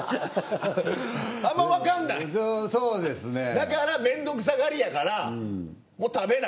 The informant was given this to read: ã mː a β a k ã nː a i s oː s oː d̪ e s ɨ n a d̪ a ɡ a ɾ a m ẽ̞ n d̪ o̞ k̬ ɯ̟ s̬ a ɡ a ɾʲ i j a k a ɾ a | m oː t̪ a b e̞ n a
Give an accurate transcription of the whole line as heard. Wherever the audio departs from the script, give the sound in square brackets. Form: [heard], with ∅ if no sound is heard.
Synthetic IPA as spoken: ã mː a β a k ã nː a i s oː s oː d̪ e s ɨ n [e] d̪ a [k] a ɾ a m ẽ̞ n d̪ o̞ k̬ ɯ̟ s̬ a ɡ a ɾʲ i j a k a ɾ a | m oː t̪ a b e̞ n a